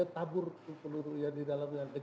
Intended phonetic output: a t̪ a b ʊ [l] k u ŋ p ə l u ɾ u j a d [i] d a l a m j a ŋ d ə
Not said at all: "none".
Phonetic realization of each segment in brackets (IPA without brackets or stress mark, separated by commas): r, i